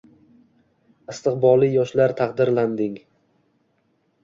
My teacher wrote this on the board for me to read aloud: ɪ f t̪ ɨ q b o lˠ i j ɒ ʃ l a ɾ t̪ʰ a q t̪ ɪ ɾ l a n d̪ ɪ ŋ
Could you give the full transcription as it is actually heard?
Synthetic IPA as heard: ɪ s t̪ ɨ q b ɒ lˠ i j ɒ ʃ l a ɾ t̪ʰ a q d̪ ɪ ɾ l a n d̪ ɪ ŋ